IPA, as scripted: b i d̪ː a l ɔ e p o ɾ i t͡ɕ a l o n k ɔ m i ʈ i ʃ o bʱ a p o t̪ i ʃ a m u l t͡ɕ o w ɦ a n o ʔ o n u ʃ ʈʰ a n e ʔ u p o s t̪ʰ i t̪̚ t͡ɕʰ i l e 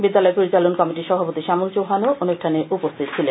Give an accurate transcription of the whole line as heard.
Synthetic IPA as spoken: b i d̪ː a l ɔ e p o ɾ i t͡ɕ a l o n k ɔ m i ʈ i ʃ ɔ bʱ a p o t̪ i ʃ a m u l t͡ɕ o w ɦ a n o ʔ o n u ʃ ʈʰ a n e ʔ u p o s t̪ʰ i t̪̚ t͡ɕʰ i l e

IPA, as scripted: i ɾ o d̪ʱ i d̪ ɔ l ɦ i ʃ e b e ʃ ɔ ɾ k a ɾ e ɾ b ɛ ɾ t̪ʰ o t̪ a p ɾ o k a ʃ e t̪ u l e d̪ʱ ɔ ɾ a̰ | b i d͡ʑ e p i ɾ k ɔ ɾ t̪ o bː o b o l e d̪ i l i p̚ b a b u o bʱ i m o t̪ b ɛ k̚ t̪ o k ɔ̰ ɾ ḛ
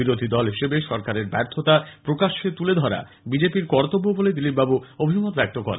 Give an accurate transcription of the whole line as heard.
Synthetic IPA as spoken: i ɾ o d̪ʱ i d̪ ɔ l ɦ i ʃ e b e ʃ ɔ ɾ k a ɾ e ɾ b ɛ ɾ t̪ʰ o t̪ a p ɾ o k a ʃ e t̪ u l e d̪ʱ ɔ ɾ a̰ | b i d͡ʑ e p i ɾ k ɔ ɾ t̪ o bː o b o l e d̪ i l i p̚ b a b u o bʱ i m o t̪ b ɛ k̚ t̪ o k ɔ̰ ɾ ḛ

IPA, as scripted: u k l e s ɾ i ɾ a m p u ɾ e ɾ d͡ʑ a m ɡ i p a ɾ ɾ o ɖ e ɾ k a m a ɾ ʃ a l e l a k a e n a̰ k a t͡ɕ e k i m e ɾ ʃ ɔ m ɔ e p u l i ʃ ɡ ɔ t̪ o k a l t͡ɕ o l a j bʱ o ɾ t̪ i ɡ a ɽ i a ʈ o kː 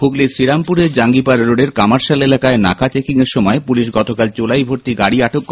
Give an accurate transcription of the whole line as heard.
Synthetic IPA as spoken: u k l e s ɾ i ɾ a m p u ɾ e ɾ d͡ʑ a ŋ ɡ i p a ɾ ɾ o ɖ e ɾ k a m a ɾ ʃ a l e l a k a e n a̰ k a t͡ɕ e k i ŋ e ɾ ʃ ɔ m ɔ e p u l i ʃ ɡ ɔ t̪ o k a l t͡ɕ o l a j bʱ o ɾ t̪ i ɡ a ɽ i a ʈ o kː

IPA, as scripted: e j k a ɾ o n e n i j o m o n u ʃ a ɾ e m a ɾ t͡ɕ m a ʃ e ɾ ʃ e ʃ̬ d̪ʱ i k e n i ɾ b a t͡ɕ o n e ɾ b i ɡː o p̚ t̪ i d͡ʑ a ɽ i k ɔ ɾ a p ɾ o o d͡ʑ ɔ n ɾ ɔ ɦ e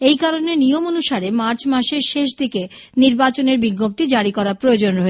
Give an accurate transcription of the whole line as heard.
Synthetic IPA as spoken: e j k a ɾ o n e n i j o m o n u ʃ a ɾ e m a ɾ t͡ɕ m a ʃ e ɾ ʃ e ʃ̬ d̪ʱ i k e n i ɾ b a t͡ɕ o n e ɾ b i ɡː o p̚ t̪ i d͡ʑ a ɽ i k ɔ ɾ a p ɾ o o d͡ʑ o n ɾ ɔ ɦ e

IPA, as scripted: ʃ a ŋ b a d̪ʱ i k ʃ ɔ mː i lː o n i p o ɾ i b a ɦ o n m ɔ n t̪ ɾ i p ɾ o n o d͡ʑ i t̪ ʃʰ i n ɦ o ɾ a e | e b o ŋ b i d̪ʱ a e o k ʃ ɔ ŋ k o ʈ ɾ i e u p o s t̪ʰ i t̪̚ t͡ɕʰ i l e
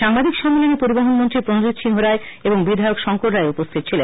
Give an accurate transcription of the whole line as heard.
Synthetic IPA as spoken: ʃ a ŋ b a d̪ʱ i k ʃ ɔ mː i l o n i p o ɾ i b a ɦ o n m o n t̪ ɾ i p ɾ o n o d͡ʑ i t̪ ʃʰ i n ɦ o ɾ a e | e b o ŋ b i d̪ʱ a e o k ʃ ɔ ŋ k o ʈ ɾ a e u p o s t̪ʰ i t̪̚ t͡ɕʰ i l e

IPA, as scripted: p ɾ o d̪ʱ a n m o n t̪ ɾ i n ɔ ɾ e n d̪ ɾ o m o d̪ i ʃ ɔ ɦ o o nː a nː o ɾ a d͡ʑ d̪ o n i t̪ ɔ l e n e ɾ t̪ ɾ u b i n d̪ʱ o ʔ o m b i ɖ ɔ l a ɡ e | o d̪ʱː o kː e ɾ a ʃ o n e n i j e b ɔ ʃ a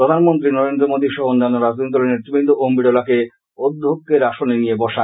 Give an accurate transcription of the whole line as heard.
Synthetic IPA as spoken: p ɾ o d̪ʱ a n m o n t̪ ɾ i n ɔ ɾ e n d̪ ɾ o m o d̪ i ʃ ɔ ɦ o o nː a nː o ɾ a d͡ʑ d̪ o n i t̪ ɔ l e n e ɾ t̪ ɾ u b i n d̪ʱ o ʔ o m b i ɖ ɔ l a k e | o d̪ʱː o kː e ɾ a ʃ o n e n i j e b ɔ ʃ a

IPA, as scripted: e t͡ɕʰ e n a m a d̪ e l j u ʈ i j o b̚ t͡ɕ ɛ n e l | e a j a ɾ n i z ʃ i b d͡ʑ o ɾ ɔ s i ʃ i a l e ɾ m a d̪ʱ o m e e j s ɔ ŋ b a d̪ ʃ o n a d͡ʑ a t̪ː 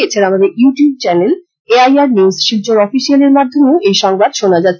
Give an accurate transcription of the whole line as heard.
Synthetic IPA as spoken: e t͡ɕʰ e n a m a d̪ e ɾ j u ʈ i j u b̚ t͡ɕ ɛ n e l | e a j a ɾ n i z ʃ i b d͡ʑ o ɾ ɔ f i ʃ i a l e ɾ m a d̪ʱ o m e e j ʃ ɔ ŋ b a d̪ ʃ o n a d͡ʑ a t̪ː

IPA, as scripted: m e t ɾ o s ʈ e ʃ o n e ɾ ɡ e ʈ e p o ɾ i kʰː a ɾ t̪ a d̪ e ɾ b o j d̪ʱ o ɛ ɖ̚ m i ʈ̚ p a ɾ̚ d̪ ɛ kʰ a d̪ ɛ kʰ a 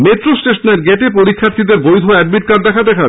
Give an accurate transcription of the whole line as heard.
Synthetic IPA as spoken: m e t ɾ o s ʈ e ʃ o n e ɾ ɡ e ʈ e p o ɾ i kʰː a ɾ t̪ i d̪ e ɾ b o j d̪ʱ o ɛ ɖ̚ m i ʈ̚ k a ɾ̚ d̪ ɛ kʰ a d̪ ɛ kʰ a

